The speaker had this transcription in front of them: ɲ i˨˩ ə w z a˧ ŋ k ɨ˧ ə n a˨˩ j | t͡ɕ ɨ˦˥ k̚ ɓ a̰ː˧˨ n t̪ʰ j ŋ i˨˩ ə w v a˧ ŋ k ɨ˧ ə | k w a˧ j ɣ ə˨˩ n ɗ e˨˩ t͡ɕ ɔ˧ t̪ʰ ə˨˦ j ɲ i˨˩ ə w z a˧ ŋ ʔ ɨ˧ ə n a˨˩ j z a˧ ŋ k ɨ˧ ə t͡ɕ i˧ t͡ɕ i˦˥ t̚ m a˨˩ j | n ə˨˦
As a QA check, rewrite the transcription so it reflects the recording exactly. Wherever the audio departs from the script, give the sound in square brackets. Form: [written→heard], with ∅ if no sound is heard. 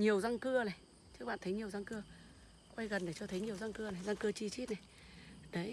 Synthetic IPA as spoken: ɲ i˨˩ ə w z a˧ ŋ k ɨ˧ ə n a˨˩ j | t͡ɕ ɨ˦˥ k̚ ɓ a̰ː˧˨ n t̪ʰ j [ŋ→ɲ] i˨˩ ə w [v→z] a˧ ŋ k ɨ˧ ə | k w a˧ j ɣ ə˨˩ n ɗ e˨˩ t͡ɕ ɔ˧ t̪ʰ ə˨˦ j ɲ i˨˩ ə w z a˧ ŋ [ʔ→k] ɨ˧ ə n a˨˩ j z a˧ ŋ k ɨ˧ ə t͡ɕ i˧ t͡ɕ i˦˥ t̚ [m→n] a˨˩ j | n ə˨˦